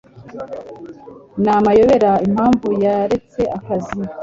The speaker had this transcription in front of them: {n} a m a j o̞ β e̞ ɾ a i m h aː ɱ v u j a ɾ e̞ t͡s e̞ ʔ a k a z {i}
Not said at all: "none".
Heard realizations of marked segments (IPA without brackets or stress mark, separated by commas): n, i